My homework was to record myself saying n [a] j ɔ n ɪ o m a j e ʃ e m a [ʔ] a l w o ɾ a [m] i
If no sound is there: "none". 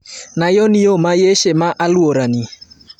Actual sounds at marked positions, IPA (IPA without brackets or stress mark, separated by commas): a, ʔ, n